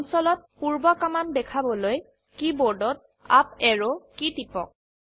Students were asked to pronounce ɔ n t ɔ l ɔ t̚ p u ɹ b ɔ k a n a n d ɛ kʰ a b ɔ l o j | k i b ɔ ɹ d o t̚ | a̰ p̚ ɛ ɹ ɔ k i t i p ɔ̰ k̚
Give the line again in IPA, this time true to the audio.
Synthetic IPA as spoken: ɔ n s ɔ l ɔ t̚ p u ɹ b ɔ k a m a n d ɛ kʰ a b ɔ l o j | k i b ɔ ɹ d ɔ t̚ | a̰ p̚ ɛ ɹ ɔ k i t i p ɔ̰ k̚